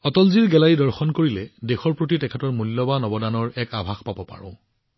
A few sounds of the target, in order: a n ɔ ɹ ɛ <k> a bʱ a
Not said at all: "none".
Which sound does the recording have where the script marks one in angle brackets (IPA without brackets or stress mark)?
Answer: k